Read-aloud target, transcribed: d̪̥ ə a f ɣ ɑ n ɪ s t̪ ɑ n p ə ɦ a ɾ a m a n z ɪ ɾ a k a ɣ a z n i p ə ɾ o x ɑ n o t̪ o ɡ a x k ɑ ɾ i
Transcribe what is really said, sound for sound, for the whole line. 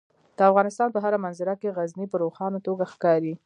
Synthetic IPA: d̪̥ ə a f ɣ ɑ n ɪ s t̪ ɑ n p ə ɦ a ɾ a m a n z ɪ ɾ a k e ɣ a z n i p ə ɾ o x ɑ n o t̪ o ɡ a x k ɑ ɾ i